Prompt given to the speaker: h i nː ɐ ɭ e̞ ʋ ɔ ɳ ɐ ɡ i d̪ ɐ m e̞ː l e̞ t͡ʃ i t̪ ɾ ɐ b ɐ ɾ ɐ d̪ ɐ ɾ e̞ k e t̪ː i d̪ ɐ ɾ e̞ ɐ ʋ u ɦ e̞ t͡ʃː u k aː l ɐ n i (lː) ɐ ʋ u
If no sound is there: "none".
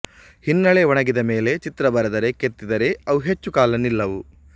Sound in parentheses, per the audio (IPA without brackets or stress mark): lː